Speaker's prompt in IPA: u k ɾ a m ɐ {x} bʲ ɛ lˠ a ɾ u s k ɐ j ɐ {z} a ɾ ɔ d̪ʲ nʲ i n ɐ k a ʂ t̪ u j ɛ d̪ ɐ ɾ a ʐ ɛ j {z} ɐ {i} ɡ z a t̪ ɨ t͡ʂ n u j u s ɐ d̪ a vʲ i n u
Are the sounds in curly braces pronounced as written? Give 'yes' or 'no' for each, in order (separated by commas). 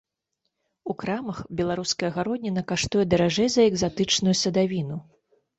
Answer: yes, no, yes, no